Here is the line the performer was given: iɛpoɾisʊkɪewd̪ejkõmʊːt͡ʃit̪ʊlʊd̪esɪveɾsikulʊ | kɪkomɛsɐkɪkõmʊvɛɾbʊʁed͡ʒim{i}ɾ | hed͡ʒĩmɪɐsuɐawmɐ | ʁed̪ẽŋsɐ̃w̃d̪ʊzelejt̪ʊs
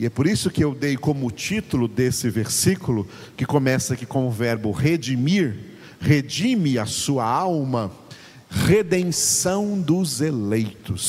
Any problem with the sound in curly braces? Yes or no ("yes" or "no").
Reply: no